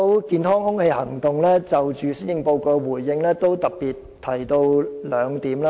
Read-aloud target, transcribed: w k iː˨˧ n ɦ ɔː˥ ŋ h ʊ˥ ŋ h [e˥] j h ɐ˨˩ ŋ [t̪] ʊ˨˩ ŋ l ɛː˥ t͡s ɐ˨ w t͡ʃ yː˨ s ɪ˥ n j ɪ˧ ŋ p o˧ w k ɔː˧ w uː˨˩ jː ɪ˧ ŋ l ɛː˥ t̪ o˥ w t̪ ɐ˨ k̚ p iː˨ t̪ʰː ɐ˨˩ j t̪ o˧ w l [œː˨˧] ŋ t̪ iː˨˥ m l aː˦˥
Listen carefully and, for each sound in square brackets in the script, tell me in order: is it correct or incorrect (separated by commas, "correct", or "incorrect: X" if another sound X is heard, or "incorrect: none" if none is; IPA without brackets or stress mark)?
incorrect: e˧, correct, correct